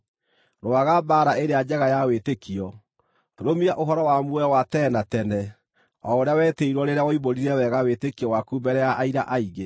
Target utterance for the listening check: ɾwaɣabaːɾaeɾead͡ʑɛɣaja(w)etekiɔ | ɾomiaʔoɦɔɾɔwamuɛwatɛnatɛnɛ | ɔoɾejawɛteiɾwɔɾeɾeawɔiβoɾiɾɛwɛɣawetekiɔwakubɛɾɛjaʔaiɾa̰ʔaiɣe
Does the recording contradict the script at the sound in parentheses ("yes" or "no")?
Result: no